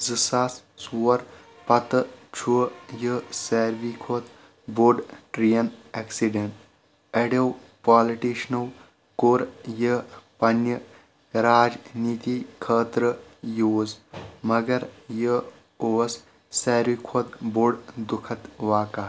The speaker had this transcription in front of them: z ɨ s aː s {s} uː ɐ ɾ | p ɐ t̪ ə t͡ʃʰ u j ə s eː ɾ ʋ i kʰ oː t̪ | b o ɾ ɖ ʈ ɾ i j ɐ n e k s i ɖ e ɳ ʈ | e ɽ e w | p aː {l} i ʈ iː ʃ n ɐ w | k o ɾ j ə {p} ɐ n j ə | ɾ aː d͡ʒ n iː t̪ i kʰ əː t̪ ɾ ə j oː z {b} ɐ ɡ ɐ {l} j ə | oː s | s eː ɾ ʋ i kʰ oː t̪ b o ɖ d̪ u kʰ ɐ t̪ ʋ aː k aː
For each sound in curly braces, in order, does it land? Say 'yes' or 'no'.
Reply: yes, yes, yes, no, no

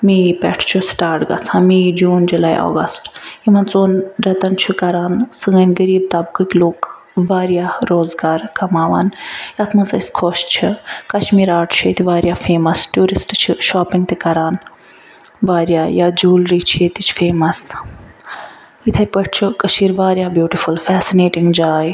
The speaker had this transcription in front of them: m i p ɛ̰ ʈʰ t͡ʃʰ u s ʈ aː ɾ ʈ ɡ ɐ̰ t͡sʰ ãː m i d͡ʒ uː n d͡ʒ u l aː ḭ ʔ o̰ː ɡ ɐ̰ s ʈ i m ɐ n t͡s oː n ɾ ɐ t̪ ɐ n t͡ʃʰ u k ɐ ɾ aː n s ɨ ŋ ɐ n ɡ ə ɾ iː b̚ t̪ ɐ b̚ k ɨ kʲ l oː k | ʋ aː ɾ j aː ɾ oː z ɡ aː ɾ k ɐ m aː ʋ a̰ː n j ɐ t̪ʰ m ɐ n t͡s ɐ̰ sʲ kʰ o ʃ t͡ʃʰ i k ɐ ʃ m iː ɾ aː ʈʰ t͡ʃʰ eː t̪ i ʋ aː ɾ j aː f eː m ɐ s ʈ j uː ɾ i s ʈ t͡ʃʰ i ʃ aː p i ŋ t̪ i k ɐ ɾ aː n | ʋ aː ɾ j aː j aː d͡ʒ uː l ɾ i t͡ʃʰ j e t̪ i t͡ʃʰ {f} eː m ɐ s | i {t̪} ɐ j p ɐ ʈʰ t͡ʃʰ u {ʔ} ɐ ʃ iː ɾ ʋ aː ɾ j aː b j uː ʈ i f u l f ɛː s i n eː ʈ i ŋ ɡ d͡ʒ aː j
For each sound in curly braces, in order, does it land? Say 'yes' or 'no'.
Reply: yes, no, no

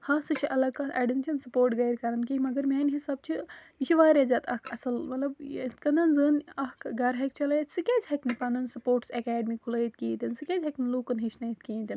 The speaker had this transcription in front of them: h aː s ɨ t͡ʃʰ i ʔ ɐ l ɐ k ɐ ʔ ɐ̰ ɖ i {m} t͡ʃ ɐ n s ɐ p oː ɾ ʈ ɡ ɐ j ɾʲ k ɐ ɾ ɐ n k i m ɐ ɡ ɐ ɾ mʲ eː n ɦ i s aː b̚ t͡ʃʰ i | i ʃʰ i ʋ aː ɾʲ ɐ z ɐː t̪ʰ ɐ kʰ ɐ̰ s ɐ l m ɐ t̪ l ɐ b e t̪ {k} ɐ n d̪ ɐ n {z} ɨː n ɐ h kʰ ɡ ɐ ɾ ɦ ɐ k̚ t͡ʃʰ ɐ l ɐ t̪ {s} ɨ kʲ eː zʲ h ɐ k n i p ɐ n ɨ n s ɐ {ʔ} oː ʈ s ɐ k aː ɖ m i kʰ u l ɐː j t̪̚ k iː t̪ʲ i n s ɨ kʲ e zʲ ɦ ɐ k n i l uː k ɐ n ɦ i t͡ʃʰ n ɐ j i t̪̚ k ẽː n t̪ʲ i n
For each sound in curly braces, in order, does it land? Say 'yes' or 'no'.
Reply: no, yes, yes, yes, no

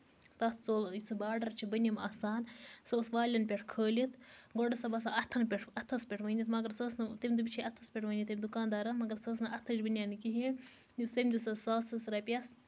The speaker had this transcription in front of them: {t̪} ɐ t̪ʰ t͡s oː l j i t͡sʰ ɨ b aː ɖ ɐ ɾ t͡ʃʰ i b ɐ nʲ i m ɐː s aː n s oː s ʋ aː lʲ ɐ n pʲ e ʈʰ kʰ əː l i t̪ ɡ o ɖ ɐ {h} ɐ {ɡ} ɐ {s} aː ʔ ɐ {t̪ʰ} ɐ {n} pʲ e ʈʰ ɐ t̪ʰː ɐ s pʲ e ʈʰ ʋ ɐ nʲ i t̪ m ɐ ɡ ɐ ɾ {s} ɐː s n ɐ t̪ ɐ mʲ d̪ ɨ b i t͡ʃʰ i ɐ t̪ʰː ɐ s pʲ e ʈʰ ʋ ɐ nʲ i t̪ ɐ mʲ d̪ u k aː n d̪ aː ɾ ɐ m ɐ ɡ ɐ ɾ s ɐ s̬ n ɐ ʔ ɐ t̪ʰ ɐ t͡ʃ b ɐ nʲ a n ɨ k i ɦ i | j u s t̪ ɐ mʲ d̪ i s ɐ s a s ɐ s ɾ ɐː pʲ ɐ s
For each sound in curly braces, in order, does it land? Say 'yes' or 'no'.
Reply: yes, no, no, yes, yes, yes, yes

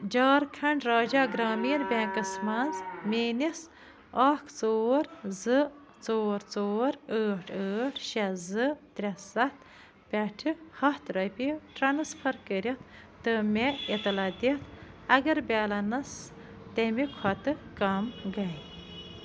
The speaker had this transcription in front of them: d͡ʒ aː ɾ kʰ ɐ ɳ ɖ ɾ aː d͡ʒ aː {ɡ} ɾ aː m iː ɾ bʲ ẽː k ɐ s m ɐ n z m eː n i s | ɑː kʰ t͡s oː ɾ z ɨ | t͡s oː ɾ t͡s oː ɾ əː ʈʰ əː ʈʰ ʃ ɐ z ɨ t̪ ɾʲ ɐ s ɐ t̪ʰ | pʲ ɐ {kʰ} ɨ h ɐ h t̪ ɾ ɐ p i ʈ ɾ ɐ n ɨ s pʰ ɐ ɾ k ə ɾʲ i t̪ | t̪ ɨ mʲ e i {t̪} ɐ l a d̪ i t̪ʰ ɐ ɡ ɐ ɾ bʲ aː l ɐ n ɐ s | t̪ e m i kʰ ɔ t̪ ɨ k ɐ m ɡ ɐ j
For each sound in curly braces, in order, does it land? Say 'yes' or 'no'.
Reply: yes, no, yes

